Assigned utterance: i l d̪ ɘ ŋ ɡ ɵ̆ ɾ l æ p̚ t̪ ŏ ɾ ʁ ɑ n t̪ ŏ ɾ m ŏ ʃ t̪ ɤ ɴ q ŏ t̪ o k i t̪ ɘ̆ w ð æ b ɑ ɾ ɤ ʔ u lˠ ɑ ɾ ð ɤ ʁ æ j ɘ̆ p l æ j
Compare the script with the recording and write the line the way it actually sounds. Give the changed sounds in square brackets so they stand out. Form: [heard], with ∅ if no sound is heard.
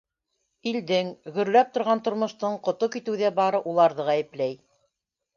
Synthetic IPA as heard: i l d̪ ɘ ŋ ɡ ɵ̆ ɾ l æ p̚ t̪ ŏ ɾ ʁ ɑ n t̪ ŏ ɾ m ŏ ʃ t̪ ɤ ɴ q ŏ t̪ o k i t̪ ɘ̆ w ð æ b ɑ ɾ ɤ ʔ u lˠ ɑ ɾ ð ɤ ʁ æ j ɘ̆ p l æ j